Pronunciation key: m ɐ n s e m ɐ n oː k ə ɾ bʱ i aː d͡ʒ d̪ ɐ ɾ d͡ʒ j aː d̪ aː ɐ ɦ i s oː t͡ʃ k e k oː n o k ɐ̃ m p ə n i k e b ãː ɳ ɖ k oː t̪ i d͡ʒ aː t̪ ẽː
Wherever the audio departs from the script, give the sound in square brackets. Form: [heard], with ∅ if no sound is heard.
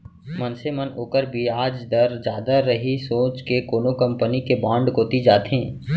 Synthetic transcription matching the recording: m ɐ n s e m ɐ n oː k ə ɾ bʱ i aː d͡ʒ d̪ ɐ ɾ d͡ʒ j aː d̪ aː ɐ ɦ i s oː t͡ʃ k e k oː n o k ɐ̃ m p ə n i k e b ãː ɳ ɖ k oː t̪ i d͡ʒ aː t̪ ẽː